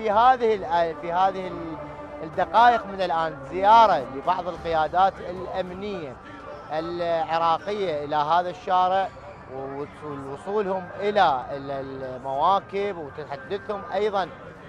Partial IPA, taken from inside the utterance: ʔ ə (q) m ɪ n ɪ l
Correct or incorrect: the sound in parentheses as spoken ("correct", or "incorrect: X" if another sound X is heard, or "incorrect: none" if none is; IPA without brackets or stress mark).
correct